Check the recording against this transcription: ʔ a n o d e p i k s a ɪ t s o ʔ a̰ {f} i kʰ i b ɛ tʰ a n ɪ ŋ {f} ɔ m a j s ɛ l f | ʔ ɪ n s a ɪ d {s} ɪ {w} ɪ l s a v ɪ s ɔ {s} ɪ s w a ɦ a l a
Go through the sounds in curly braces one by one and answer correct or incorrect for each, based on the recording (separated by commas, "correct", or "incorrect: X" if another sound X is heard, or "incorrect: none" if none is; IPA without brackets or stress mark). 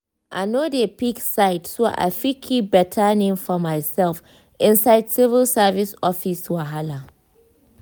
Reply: correct, correct, correct, incorrect: v, incorrect: f